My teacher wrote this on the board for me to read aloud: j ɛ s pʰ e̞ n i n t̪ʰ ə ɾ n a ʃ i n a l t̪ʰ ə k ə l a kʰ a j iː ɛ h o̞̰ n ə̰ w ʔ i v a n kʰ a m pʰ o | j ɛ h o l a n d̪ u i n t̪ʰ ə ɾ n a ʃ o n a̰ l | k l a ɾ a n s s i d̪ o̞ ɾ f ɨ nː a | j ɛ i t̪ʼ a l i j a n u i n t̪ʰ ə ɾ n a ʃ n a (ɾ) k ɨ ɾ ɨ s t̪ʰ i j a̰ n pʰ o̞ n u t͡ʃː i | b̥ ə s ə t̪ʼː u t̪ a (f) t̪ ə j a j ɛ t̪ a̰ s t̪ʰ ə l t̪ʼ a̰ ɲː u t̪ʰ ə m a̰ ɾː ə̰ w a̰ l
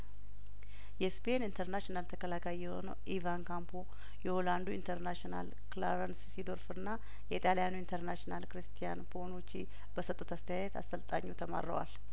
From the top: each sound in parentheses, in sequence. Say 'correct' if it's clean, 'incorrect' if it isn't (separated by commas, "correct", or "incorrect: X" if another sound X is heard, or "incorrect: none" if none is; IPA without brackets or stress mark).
incorrect: l, incorrect: s